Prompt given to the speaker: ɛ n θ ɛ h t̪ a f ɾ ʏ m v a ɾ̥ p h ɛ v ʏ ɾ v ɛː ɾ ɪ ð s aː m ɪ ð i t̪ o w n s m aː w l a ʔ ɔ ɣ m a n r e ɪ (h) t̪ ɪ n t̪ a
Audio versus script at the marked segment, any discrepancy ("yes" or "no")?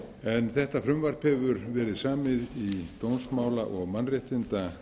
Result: no